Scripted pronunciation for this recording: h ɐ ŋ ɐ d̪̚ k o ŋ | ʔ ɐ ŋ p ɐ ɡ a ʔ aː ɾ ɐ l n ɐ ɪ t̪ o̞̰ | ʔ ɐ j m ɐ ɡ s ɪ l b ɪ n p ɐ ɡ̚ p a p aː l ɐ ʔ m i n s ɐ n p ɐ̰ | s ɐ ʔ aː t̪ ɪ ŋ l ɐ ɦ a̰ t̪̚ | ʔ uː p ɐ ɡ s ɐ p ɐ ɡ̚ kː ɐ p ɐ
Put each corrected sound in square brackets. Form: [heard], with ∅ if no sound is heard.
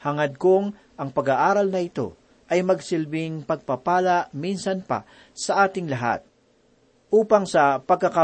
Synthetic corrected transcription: h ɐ ŋ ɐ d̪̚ k o ŋ | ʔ ɐ ŋ p ɐ ɡ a ʔ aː ɾ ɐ l n ɐ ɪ t̪ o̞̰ | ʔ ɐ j m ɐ ɡ s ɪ l b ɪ [ŋ] p ɐ ɡ̚ p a p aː l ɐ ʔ m i n s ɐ n p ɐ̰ | s ɐ ʔ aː t̪ ɪ ŋ l ɐ ɦ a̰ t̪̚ | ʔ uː p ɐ [ŋ] s ɐ p ɐ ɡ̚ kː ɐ [k] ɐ